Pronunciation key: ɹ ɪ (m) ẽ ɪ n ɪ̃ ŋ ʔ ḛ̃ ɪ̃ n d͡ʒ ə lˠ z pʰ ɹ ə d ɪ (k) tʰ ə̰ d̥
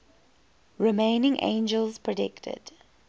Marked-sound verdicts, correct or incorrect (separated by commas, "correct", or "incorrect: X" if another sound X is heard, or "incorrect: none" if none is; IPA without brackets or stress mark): correct, correct